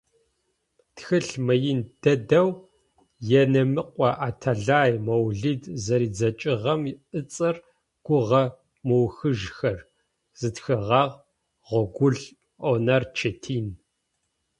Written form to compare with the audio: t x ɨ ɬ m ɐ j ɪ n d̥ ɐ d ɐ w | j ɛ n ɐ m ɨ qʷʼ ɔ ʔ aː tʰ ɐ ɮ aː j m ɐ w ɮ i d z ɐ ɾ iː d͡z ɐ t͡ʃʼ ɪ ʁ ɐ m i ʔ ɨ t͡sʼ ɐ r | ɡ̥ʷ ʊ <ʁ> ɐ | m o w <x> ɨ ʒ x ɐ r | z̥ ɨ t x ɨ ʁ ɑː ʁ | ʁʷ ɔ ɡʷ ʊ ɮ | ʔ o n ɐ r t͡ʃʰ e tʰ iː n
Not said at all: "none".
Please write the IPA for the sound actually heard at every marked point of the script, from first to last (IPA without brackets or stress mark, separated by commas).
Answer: ʁ, x